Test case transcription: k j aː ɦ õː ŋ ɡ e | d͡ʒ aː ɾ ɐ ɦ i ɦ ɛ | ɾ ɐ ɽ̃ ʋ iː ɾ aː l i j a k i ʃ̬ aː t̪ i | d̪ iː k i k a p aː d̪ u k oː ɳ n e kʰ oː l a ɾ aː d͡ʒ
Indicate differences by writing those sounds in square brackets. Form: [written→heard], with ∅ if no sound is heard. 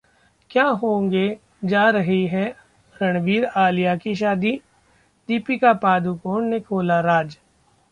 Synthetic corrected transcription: k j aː ɦ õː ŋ ɡ e | d͡ʒ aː ɾ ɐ ɦ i ɦ ɛ | ɾ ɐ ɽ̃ ʋ iː ɾ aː l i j a k i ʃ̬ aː [t̪→d̪] i | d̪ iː [k→p] i k a p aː d̪ u k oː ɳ n e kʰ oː l a ɾ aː d͡ʒ